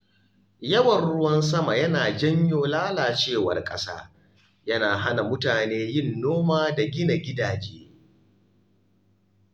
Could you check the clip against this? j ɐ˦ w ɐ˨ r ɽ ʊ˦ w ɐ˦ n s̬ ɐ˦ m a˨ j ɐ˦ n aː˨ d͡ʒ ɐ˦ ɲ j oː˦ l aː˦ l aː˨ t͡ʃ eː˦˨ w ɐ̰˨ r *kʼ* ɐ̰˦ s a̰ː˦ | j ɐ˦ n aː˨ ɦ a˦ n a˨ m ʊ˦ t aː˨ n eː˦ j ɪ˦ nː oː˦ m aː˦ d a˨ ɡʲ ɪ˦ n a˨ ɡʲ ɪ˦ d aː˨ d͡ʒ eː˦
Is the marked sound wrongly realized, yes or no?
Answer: no